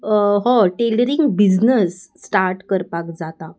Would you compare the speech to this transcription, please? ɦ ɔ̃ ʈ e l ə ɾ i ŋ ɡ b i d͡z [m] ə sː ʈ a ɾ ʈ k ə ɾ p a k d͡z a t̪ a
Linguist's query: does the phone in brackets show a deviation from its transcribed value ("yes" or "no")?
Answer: yes